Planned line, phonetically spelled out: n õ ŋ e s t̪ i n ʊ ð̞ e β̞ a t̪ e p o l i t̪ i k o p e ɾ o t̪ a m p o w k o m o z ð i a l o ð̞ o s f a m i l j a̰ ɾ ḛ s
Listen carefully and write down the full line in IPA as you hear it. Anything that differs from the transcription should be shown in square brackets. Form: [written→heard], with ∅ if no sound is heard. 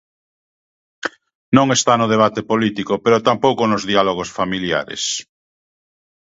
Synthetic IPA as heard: n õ ŋ e s t̪ [i→a] n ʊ ð̞ e β̞ a t̪ e p o l i t̪ i k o p e ɾ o t̪ a m p o w k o [m→n] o z ð i a l o [ð̞→ɣ̞] o s f a m i l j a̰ ɾ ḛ s